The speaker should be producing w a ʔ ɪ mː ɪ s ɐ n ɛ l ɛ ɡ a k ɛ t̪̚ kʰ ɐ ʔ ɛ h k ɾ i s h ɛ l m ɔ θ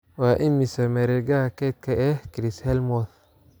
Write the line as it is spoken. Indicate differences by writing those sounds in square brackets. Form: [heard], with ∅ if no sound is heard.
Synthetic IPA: w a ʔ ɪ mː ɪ s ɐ [m] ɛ [ɾ] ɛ ɡ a k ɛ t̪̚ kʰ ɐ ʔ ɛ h k ɾ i s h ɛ l m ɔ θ